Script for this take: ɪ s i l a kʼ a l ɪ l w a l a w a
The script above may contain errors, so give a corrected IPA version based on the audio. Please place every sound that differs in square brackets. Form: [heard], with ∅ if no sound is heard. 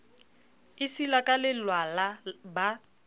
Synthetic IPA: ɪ s i l a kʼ a l ɪ l w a l a [b] a